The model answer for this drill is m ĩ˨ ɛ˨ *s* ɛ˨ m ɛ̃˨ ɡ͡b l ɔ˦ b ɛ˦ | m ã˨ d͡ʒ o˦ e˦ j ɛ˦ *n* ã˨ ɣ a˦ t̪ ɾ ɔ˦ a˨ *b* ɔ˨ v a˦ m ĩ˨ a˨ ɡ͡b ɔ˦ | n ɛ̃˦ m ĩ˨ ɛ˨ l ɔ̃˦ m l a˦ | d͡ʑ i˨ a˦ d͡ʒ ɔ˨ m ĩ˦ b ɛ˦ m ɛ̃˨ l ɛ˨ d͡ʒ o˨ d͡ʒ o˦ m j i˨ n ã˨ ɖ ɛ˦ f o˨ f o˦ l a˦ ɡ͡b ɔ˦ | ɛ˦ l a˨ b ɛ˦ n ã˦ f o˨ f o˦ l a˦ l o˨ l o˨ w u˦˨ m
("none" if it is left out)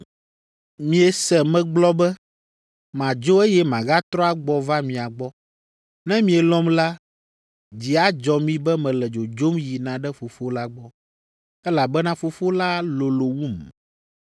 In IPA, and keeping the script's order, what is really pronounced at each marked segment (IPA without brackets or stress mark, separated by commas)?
s, m, ɡ͡b